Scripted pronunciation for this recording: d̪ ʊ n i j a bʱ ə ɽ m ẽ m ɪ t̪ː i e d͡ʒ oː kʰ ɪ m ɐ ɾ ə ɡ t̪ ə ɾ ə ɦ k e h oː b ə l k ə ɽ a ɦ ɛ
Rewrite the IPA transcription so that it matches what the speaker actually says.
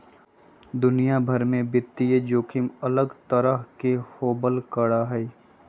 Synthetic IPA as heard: d̪ ʊ n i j a bʱ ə ɾ m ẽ b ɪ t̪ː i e d͡ʒ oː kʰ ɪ m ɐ l ə ɡ t̪ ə ɾ ə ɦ k e h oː b ə l k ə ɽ a ɦ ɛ